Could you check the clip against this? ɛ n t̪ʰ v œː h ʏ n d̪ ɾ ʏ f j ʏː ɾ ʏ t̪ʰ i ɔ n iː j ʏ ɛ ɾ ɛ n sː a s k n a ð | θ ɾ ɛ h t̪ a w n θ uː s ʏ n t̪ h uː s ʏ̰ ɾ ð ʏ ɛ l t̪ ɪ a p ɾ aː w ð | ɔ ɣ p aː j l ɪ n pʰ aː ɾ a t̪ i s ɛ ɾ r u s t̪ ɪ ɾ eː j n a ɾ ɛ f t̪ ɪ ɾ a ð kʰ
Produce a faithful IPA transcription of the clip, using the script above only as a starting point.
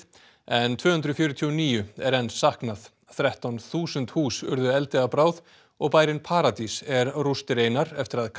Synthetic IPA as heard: ɛ n t̪ʰ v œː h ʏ n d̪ ɾ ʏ f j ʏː ɾ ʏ t̪ʰ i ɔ n iː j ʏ ɛ ɾ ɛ n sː a h k n a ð | θ ɾ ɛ h t̪ a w n θ uː s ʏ n t̪ h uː s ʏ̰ ɾ ð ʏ ɛ l t̪ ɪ a p ɾ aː w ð | ɔ ɣ p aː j ɾ ɪ n pʰ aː ɾ a t̪ i s ɛ ɾ r u s t̪ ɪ ɾ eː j n a ɾ ɛ f t̪ ɪ ɾ a ð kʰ